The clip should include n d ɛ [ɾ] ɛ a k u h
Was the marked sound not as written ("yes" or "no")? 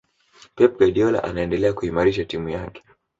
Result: yes